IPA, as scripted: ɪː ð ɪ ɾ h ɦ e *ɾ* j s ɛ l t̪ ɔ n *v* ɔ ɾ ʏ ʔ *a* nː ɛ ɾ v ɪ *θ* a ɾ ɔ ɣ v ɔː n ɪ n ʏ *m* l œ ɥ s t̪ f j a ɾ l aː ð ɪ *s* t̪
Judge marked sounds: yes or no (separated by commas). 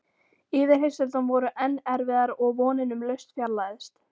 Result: no, yes, no, no, yes, yes